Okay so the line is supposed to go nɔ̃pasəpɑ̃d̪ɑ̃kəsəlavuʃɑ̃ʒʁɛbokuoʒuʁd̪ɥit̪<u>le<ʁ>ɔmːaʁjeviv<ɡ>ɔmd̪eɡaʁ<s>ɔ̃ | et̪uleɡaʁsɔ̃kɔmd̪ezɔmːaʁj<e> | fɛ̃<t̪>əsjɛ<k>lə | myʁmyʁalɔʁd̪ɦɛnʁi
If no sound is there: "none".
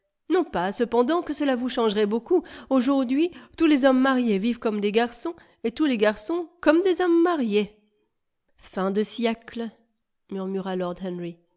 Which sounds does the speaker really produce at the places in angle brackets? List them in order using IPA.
u, z, k, s, e, d̪, k

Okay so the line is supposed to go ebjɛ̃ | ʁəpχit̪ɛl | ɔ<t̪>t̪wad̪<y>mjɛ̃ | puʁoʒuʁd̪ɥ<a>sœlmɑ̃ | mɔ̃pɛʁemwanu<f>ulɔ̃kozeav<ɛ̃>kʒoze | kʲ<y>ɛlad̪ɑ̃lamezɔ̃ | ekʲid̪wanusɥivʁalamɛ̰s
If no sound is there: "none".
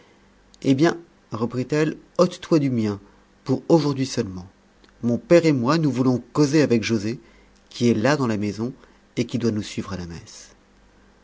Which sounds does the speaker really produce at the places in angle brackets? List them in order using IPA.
t̪, y, i, v, ɛ, i

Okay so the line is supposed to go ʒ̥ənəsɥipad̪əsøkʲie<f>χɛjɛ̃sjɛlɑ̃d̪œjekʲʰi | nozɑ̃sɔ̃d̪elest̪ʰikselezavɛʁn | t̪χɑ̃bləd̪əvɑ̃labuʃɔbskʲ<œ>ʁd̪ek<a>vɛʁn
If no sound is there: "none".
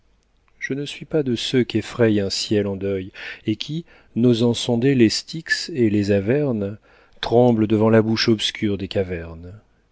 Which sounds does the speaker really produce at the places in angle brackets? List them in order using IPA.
f, y, a

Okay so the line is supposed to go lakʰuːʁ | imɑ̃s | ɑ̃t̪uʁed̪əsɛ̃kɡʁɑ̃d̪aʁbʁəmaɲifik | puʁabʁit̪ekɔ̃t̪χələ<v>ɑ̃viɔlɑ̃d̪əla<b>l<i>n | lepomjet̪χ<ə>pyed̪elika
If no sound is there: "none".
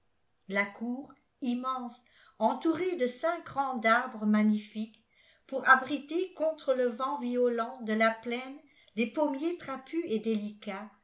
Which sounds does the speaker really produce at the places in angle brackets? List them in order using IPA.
v, p, ɛ, a

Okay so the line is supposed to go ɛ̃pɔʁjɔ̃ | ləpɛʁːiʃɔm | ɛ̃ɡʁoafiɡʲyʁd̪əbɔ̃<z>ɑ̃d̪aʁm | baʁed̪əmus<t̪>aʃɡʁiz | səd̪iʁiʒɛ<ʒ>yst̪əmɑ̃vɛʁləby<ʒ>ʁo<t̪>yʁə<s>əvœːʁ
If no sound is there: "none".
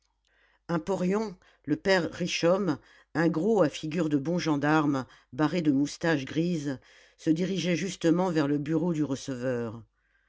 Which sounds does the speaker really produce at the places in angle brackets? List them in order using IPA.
ʒ, t̪, ʒ, none, d̪, s

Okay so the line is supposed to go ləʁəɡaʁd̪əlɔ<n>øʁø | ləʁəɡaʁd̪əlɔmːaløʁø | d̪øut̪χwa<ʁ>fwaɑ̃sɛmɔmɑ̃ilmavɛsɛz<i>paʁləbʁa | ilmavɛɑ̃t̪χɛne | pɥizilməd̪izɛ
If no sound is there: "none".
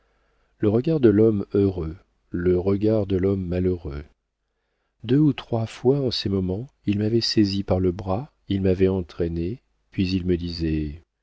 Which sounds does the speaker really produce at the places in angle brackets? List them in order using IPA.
m, none, i

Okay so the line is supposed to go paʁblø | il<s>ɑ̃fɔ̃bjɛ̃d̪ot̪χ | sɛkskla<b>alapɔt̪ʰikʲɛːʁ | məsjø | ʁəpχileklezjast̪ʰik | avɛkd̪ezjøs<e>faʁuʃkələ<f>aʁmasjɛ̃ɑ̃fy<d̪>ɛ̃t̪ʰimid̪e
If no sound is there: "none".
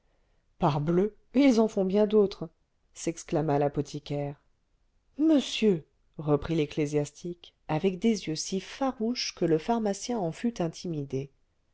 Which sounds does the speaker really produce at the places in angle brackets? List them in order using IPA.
z, m, i, f, t̪

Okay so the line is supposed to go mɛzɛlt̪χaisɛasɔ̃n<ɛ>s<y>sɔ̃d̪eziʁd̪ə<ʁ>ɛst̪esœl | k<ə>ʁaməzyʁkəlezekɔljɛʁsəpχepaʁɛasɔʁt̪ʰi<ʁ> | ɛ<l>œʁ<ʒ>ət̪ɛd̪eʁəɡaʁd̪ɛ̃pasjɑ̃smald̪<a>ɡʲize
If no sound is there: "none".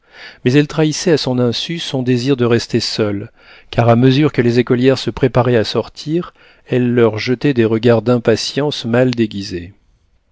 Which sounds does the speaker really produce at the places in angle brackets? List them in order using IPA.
ɛ̃, y, ʁ, a, ʁ, lː, ʒ, e

